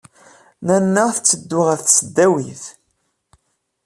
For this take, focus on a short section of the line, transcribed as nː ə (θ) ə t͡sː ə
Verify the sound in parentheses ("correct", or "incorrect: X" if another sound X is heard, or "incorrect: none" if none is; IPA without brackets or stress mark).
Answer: correct